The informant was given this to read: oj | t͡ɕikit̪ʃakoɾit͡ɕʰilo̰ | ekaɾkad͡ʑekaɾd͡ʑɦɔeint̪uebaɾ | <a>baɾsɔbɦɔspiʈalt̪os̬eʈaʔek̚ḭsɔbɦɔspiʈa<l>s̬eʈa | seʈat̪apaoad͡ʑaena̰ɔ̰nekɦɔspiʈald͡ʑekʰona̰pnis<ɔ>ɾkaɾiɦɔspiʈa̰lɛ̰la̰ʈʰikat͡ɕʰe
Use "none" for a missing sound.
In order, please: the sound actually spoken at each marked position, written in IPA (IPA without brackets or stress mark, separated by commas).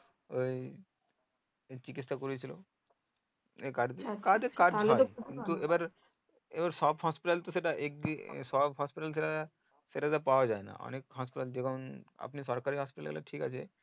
e, l, ɔ